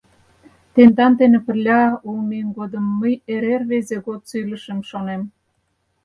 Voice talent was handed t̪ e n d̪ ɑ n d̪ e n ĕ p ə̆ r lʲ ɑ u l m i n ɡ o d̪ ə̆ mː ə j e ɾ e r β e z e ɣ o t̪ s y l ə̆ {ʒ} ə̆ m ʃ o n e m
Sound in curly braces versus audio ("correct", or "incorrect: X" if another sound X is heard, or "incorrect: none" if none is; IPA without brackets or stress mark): incorrect: ʃ